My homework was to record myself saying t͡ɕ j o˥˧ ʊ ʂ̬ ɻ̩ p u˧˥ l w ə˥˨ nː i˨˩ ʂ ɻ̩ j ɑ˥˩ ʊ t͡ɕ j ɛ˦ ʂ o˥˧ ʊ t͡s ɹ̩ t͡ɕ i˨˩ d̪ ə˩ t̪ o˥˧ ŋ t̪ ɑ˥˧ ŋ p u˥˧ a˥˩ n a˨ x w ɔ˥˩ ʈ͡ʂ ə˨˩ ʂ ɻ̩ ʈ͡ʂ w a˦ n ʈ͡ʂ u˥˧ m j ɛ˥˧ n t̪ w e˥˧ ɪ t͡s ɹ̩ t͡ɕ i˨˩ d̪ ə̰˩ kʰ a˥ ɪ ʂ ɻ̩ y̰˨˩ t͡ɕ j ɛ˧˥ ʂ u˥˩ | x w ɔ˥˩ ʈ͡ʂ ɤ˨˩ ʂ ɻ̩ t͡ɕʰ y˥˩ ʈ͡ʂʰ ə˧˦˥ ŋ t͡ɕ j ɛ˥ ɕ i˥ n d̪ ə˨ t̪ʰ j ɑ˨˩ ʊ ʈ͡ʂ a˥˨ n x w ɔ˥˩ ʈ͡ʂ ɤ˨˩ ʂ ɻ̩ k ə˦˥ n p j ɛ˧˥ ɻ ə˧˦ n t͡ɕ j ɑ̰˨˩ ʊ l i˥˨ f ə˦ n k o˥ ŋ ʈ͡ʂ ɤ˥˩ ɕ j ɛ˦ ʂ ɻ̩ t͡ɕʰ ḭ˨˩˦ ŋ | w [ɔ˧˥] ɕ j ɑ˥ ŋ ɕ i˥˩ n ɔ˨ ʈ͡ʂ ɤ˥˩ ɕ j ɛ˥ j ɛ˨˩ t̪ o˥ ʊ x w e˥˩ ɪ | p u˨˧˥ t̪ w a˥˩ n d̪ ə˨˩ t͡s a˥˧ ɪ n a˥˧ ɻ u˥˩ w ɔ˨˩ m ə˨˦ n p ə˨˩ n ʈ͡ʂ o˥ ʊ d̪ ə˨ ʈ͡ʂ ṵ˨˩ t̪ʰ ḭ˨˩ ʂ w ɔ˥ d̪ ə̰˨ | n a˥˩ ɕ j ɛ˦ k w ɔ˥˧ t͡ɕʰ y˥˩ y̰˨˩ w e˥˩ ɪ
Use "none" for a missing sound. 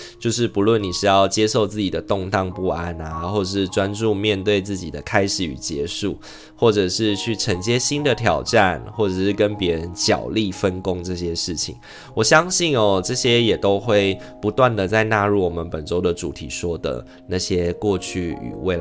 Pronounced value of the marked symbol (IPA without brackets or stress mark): ɔ˨˩